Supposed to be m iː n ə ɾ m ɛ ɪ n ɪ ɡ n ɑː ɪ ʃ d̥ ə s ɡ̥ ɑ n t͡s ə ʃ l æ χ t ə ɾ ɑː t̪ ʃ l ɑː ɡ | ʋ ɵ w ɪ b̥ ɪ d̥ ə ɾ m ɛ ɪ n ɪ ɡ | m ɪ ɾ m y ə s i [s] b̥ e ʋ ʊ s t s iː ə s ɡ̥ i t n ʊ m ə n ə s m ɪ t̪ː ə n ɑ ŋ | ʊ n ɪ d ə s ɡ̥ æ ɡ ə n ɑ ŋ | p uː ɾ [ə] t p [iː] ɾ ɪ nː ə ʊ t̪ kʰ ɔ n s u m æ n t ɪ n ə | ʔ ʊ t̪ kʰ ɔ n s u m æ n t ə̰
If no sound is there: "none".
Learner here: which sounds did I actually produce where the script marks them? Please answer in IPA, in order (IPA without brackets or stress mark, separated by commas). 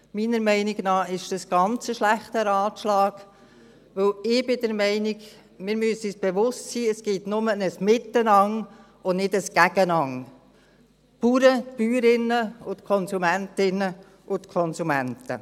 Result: s, ə, yː